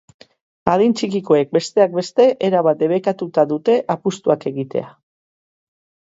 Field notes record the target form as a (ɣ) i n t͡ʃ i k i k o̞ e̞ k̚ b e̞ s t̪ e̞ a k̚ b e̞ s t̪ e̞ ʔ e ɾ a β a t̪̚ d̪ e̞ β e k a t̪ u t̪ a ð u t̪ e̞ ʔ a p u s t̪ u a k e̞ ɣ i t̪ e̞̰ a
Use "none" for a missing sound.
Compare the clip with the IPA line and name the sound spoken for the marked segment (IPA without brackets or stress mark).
ð